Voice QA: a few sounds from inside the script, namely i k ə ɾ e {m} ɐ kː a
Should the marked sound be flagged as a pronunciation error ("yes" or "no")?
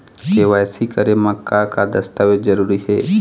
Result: no